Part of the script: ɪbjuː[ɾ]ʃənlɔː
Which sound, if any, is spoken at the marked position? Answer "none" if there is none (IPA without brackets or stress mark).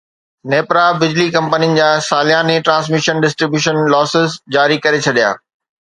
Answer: none